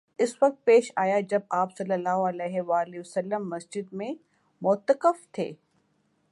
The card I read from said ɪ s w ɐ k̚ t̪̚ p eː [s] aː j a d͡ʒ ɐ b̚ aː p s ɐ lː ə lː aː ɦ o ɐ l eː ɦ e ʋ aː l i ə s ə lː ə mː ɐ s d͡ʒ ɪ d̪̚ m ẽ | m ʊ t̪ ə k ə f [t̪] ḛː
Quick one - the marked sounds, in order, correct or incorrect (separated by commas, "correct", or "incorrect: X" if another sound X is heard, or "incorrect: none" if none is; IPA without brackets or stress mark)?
incorrect: ʃ, incorrect: t̪ʰ